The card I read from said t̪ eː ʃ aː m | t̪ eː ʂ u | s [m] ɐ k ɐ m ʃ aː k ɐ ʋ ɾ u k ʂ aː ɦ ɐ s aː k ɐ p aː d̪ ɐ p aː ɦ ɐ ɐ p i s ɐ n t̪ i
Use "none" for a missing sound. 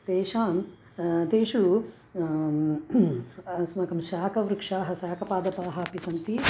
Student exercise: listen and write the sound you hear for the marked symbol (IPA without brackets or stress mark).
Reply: m